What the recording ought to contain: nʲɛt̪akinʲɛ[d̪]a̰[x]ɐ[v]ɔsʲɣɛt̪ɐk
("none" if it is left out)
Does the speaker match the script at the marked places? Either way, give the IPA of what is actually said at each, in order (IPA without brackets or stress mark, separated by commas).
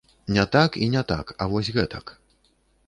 t̪, k, v